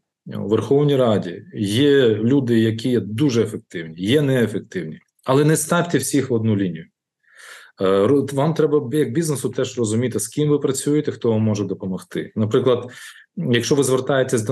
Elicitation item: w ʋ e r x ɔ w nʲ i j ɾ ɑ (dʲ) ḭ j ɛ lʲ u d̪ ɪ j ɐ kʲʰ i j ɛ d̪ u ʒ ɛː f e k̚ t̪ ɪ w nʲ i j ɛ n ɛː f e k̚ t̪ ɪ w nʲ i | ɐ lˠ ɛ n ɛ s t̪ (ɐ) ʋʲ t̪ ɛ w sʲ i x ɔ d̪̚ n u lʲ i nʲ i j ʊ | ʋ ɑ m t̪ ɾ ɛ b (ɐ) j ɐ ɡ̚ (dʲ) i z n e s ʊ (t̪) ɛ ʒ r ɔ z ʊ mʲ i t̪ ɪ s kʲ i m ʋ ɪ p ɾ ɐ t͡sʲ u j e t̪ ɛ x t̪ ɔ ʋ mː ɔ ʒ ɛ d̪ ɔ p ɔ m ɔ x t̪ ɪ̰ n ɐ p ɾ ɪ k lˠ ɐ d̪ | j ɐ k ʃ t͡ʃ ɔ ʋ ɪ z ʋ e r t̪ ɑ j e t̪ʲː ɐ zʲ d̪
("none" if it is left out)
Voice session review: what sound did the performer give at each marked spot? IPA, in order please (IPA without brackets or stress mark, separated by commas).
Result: dʲ, ɑ, ɐ, bʲ, t̪